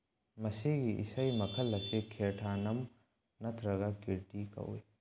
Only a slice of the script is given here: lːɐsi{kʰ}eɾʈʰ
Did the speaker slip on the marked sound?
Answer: no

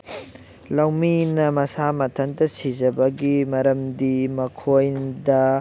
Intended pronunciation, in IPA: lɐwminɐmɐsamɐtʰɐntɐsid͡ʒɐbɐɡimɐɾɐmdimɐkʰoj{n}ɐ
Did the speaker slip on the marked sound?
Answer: yes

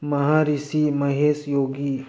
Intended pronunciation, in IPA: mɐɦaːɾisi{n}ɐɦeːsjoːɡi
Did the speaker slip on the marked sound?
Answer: yes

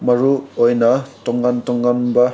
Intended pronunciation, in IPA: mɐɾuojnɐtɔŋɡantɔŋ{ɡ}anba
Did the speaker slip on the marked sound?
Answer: no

